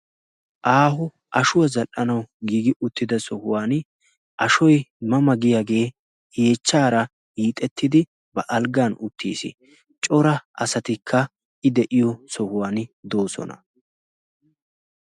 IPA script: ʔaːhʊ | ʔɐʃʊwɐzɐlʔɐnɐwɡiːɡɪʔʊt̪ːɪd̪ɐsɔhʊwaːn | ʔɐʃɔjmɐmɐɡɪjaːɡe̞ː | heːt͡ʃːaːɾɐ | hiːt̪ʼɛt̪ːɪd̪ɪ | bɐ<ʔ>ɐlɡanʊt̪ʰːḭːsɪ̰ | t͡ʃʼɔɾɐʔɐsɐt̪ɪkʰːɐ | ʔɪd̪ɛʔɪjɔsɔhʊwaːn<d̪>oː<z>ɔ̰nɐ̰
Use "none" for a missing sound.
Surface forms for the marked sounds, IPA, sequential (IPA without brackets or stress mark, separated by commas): ʔ, d̪, s